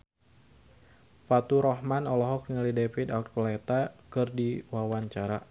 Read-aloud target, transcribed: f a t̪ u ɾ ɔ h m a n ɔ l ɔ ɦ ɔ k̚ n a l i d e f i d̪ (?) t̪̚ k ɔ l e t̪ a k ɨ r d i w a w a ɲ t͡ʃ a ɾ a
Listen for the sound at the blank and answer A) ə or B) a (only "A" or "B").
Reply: B